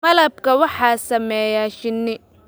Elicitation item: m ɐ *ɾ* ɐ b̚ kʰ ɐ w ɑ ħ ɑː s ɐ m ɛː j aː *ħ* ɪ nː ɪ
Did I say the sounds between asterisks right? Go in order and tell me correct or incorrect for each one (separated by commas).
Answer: incorrect, incorrect